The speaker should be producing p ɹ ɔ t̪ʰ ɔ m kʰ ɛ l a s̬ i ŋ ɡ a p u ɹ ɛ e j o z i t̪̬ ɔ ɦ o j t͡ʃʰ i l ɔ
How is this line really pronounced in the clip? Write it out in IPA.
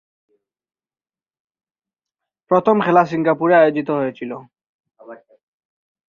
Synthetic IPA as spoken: p ɹ ɔ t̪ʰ ɔ m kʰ ɛ l a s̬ i ŋ ɡ a p u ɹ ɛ a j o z i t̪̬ ɔ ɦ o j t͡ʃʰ i l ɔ